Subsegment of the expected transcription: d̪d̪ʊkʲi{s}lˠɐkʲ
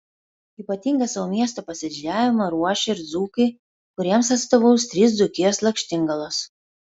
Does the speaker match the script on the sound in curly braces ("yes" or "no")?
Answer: yes